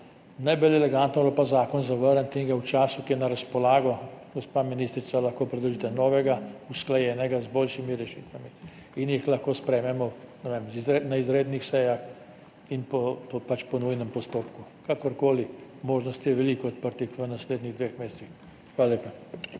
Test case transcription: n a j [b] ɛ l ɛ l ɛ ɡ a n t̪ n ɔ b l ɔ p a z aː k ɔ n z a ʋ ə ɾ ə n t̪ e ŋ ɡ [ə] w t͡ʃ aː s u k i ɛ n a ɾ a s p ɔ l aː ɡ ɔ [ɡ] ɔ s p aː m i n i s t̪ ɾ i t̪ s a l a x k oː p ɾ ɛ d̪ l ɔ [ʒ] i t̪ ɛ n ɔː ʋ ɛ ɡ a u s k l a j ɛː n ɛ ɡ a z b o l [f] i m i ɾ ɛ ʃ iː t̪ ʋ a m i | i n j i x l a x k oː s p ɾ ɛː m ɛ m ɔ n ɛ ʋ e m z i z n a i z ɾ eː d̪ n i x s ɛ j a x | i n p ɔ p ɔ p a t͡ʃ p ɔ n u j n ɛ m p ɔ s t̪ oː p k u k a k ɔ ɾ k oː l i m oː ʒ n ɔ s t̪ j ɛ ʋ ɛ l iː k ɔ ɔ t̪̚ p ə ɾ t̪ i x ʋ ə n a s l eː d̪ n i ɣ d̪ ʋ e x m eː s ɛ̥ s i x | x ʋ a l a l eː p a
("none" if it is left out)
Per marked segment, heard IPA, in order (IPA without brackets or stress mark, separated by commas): b, a, ɡ, ʒ, ʃ